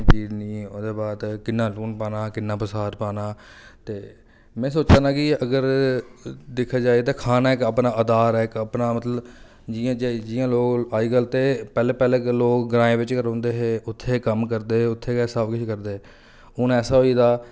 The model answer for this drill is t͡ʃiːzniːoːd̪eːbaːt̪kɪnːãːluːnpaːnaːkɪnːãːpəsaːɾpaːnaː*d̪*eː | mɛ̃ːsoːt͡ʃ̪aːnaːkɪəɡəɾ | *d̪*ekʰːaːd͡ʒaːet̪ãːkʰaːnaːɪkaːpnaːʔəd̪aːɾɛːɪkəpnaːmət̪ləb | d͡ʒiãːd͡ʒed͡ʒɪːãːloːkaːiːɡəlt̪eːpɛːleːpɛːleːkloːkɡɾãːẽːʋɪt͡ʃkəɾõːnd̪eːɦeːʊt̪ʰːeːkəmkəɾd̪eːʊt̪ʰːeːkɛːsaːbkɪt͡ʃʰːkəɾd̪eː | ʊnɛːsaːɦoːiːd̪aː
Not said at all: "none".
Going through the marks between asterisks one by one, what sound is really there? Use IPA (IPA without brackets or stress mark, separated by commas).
t̪, d̪